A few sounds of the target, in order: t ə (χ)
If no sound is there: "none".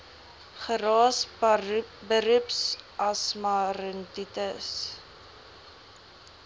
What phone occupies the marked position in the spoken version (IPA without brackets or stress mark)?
s